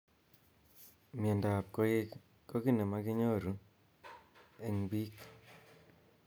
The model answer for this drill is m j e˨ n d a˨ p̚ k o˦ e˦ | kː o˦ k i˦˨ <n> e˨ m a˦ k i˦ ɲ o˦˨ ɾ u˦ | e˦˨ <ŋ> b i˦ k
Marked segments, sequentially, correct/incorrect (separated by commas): correct, correct